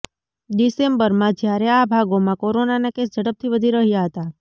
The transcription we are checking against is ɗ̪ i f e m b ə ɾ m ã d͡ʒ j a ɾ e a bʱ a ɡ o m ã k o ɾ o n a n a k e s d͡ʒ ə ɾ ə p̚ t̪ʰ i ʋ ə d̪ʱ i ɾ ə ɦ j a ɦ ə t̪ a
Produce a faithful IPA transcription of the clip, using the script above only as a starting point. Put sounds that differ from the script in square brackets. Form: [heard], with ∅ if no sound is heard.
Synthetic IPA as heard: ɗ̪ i [s] e m b ə ɾ m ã d͡ʒ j a ɾ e a bʱ a ɡ o m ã k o ɾ o n a n a k e s d͡ʒ ə [ɽ] ə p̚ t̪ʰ i ʋ ə d̪ʱ i ɾ ə ɦ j a ɦ ə t̪ a